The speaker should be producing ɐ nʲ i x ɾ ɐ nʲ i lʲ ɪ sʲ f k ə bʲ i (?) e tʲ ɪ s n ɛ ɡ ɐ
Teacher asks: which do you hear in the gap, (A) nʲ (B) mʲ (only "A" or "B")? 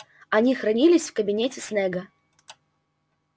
A